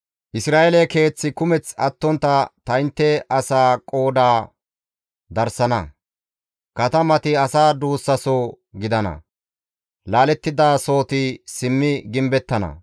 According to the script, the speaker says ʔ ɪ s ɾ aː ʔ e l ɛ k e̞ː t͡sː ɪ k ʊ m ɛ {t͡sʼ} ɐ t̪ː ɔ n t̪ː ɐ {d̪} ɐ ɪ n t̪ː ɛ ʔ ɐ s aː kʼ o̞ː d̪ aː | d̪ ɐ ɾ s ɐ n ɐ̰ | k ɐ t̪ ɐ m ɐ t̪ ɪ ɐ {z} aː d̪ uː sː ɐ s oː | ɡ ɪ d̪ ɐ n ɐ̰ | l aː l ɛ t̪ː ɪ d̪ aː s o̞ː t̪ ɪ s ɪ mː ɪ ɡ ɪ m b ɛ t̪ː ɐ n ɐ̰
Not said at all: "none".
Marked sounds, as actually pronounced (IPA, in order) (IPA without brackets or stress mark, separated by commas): t͡s, t̪, s